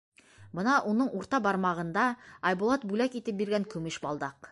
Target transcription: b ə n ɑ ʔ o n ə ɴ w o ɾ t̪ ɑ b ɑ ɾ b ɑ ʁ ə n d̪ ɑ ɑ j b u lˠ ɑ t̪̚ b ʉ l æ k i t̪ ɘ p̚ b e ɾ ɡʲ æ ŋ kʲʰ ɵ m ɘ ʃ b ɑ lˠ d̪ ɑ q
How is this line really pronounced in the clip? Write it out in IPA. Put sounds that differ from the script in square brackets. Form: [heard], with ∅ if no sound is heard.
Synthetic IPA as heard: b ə n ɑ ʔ o n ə ɴ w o ɾ t̪ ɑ b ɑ ɾ [m] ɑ ʁ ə n d̪ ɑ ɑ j b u lˠ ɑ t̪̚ b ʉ l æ k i t̪ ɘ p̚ b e ɾ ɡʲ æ ŋ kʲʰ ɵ m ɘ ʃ b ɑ lˠ d̪ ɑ q